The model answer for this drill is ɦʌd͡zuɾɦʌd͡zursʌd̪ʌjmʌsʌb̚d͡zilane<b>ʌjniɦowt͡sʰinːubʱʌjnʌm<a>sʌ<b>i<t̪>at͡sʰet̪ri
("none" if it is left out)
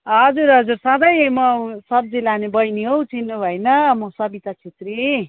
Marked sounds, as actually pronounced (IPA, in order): b, ʌ, b, t̪

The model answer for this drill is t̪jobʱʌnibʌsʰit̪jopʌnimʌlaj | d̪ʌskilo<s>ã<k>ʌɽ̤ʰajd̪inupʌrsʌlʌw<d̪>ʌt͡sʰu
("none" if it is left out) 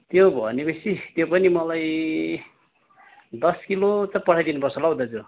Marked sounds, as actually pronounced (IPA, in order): t͡s, p, d̪

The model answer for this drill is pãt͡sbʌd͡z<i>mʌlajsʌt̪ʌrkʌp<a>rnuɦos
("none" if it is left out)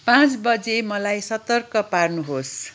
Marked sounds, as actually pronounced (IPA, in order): e, a

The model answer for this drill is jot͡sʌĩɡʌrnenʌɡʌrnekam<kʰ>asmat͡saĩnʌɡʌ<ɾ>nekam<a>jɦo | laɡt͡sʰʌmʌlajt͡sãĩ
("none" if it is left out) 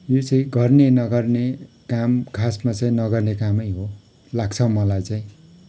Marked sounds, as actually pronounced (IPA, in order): kʰ, r, ʌ

